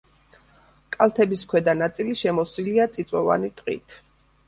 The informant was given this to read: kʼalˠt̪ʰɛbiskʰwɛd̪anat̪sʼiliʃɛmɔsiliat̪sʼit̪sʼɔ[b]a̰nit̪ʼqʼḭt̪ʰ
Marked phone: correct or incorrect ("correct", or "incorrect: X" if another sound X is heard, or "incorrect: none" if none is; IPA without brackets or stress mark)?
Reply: incorrect: v